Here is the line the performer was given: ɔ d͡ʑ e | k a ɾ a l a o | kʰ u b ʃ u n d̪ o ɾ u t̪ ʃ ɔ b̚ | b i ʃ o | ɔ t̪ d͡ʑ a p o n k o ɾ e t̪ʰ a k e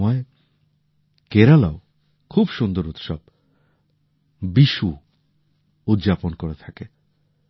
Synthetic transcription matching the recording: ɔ e | k e ɾ a l a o | kʰ u b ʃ u n d̪ o ɾ u t̪ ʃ ɔ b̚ | b i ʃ u | u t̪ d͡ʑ a p o n k o ɾ e t̪ʰ a k e